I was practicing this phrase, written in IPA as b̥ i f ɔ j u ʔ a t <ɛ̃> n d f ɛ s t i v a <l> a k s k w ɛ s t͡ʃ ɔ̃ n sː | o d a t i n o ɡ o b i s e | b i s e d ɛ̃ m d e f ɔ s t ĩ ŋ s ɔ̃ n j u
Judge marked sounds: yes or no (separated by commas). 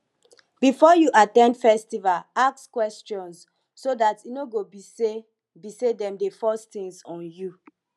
yes, yes